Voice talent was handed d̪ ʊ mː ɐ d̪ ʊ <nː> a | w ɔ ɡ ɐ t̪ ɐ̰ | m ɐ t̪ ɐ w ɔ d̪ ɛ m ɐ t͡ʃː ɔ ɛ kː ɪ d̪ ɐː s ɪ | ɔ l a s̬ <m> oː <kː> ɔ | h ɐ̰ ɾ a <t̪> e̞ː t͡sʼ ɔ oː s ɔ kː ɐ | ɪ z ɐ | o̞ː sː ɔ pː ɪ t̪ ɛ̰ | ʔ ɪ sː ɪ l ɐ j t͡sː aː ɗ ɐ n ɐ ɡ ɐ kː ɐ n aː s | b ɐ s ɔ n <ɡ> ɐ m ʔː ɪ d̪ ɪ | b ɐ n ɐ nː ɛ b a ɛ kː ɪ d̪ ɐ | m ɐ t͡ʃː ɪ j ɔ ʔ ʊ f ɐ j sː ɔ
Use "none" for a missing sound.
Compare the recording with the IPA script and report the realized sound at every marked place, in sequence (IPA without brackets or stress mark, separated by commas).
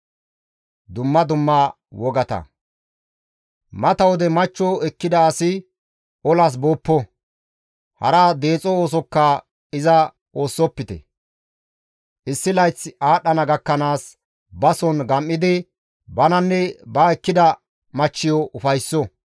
mː, b, pː, d̪, ɡ